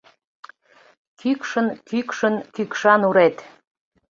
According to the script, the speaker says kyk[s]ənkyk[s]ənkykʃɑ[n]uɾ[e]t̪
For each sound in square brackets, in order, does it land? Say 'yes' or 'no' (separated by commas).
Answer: no, no, yes, yes